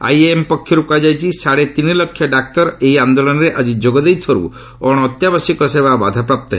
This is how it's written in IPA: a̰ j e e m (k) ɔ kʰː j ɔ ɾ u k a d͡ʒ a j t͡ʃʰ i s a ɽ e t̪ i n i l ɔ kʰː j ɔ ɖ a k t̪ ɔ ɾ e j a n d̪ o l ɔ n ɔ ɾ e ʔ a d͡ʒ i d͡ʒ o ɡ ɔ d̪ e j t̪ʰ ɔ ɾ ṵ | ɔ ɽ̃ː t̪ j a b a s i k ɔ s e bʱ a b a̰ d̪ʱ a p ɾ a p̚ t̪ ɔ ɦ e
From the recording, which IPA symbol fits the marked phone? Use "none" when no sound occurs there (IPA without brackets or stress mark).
p